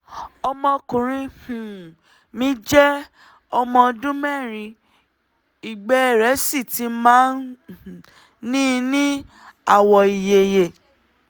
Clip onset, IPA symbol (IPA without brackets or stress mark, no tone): ɔ